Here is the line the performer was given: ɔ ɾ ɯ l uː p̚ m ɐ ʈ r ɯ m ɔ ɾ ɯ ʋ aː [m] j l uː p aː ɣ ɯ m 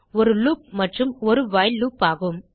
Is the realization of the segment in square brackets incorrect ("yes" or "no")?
yes